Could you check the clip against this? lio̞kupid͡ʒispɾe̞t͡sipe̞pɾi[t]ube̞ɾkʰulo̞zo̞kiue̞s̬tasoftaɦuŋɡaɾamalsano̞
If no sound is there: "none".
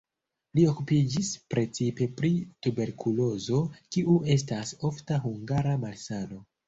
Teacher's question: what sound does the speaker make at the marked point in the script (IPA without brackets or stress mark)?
t